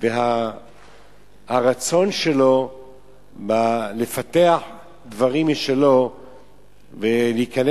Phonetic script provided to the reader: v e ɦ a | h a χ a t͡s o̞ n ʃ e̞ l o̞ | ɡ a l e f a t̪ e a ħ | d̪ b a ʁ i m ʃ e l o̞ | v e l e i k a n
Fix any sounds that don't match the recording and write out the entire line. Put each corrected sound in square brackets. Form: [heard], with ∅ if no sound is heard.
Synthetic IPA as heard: v e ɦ a | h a [ʁ] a t͡s o̞ n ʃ e̞ l o̞ | [b] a l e f a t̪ e a ħ | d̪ [v] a ʁ i m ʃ e l o̞ | v e l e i k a n